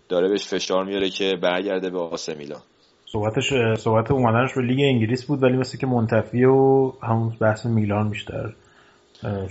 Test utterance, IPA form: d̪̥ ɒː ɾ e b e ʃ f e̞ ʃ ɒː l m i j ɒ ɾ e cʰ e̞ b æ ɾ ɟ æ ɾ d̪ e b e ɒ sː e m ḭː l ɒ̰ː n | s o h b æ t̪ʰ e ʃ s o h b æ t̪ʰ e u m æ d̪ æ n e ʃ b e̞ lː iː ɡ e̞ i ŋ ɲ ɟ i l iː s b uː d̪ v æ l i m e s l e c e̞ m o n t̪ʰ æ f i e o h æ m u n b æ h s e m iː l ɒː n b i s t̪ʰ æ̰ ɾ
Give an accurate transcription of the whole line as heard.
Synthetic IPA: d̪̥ ɒː ɾ e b e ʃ f e̞ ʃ ɒː ɾ m i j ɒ ɾ e cʰ e̞ b æ ɾ ɟ æ ɾ d̪ e b e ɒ s e m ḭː l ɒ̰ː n | s o h b æ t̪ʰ e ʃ s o h b æ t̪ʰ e u m æ d̪ æ n e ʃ b e̞ l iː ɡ e̞ i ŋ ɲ ɟ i l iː s b uː d̪ v æ l i m e s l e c e̞ m o n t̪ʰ æ f i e o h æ m u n b æ h s e m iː l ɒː n b i ʃ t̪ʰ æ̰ ɾ